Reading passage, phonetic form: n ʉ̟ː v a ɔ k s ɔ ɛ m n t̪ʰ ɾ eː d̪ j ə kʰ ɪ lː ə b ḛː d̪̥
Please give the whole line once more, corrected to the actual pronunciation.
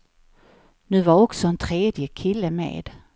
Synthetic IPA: n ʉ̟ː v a ɔ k s ɔ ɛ n t̪ʰ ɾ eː d̪ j ə kʰ ɪ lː ə m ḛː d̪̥

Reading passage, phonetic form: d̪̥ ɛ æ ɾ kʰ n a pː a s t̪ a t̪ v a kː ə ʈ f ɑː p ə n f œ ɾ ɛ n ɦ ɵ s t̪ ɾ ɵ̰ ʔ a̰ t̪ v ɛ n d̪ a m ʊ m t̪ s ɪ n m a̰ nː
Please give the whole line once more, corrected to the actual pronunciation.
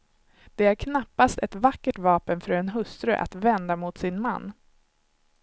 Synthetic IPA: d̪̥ ɛ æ ɾ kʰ n a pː a s t̪ ɛ t̪ v a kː ə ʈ v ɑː p ə n f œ ɾ ɛ n ɦ ɵ s t̪ ɾ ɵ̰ ʔ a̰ t̪ v ɛ n d̪ a m ʊ t̪ s ɪ n m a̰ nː

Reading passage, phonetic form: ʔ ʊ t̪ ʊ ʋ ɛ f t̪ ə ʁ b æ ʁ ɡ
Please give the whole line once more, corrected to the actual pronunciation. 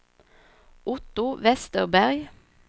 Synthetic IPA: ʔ ʊ t̪ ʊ ʋ ɛ s t̪ ə ʁ b æ ʁ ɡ

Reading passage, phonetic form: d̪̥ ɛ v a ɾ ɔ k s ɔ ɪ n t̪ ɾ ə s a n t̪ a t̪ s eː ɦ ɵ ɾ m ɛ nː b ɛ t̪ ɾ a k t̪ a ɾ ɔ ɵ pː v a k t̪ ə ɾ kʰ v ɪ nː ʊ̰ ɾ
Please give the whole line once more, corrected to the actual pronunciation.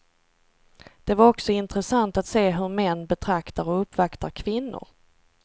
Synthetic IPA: d̪̥ ɛ v a ɾ ɔ k s ɔ ɪ n t̪ ɾ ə s a n t̪ a t̪ s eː ɦ ɵ ɾ m ɛ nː b ɛ t̪ʰ ɾ a k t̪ a ɾ ɔ ɵ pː v a k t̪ a ɾ kʰ v ɪ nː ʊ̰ ɾ

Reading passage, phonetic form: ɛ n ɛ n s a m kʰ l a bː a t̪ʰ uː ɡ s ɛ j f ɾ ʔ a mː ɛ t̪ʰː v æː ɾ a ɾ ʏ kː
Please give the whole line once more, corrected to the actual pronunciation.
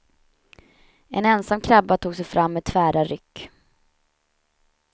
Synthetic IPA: ɛ n ɛ n s a m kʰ ɾ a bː a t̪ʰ uː ɡ s ɛ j f ɾ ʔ a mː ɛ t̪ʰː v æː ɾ a ɾ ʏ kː

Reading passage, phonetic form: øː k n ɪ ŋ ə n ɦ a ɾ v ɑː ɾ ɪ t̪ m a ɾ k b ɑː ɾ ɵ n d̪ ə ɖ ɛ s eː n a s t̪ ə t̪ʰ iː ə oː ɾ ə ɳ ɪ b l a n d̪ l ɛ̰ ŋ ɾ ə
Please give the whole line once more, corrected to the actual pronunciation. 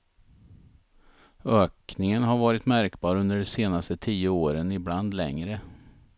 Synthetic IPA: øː k n ɪ ŋ ə n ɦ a ɾ v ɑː ɾ ɪ t̪ m æ ɾ k b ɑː ɾ ɵ n d̪ ə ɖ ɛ s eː n a s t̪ ə t̪ʰ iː ə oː ɾ ə n ɪ b l a n d̪ l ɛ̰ ŋ ɾ ə

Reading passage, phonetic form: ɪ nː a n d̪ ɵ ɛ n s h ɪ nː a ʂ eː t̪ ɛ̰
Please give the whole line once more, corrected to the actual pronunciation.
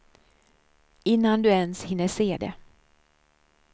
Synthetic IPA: ɪ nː a n d̪ ɵ ɛ n s h ɪ nː ə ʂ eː d̪ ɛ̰

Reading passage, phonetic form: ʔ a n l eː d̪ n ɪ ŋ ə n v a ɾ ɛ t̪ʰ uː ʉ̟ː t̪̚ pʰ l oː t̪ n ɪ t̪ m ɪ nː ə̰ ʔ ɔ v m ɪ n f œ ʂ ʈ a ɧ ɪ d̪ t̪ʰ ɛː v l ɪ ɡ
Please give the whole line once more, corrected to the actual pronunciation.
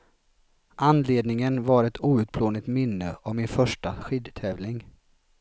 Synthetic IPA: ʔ a n l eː d̪ n ɪ ŋ ə n v a ɾ ɛ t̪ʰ uː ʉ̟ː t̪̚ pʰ l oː n ɪ t̪ m ɪ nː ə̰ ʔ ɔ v m ɪ n f œ ʂ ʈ a ɧ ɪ d̪ t̪ʰ ɛː v l ɪ ŋ

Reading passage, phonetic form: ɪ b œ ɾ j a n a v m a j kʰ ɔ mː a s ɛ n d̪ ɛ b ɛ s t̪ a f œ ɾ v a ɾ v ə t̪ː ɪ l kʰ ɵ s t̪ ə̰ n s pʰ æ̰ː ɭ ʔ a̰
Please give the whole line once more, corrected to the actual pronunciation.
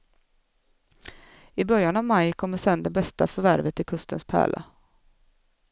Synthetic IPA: ɪ b œ ɾ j a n a v m a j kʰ ɔ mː ə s ɛ n d̪ ɛ b ɛ s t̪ a f œ ɾ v æ ɾ v ə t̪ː ɪ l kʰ ɵ s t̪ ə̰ n s pʰ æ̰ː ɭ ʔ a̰

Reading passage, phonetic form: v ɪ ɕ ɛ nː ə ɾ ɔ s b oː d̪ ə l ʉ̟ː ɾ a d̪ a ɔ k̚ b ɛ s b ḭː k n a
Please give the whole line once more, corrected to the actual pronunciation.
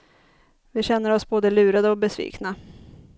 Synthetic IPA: v ɪ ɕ ɛ nː ə ɾ ɔ s b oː d̪ ə l ʉ̟ː ɾ a d̪ ə ɔ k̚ b ɛ s v ḭː k n a

